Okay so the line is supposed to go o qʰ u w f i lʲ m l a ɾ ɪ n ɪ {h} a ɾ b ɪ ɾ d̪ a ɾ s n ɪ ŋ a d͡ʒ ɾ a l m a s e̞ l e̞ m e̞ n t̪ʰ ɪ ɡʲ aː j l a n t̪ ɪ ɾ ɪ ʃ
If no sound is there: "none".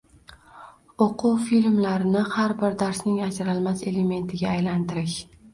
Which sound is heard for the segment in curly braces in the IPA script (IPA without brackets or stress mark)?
h